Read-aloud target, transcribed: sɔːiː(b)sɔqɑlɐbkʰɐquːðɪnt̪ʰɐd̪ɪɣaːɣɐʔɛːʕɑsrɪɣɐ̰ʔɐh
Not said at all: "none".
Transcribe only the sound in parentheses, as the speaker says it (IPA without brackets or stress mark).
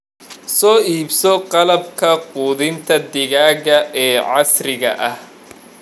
b